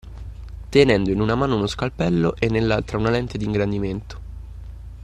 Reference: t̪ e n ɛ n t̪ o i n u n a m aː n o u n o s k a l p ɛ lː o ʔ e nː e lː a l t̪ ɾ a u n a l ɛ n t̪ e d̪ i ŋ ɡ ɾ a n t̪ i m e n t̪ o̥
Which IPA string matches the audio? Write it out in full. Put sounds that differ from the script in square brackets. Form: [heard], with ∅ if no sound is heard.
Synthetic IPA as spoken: t̪ e n ɛ n [d̪] o i n u n a m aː n o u n o s k a l p ɛ lː o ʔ e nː e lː a l t̪ ɾ a u n a l ɛ n t̪ e d̪ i ŋ ɡ ɾ a n [d̪] i m e n t̪ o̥